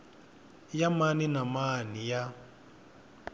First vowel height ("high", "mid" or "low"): low